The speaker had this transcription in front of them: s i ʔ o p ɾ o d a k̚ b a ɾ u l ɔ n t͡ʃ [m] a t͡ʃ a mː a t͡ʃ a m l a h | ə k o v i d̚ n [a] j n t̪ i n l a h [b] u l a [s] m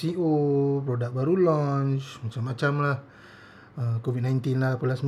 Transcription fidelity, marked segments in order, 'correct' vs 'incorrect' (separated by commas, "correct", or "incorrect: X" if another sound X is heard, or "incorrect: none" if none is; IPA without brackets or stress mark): correct, correct, incorrect: p, correct